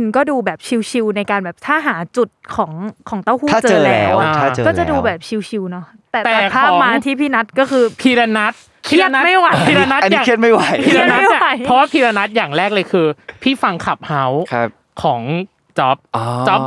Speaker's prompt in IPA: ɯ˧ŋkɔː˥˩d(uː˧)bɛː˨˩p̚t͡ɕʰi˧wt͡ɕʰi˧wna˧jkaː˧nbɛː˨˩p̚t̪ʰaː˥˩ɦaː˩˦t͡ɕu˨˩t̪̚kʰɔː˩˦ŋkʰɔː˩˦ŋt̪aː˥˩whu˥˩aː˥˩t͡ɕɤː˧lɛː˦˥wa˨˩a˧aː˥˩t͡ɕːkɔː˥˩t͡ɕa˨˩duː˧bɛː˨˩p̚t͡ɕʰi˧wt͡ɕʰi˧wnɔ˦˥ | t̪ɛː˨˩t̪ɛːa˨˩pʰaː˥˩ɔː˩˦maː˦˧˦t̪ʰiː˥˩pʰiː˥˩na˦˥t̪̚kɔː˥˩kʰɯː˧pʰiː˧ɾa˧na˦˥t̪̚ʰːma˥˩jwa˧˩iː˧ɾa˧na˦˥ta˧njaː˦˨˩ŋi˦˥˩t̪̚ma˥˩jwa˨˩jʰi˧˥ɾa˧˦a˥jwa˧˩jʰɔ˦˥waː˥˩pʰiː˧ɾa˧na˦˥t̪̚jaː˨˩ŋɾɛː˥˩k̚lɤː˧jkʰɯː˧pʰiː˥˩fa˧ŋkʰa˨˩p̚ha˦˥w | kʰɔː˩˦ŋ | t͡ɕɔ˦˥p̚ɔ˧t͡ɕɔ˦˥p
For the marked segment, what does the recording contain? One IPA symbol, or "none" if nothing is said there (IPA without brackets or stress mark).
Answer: uː˧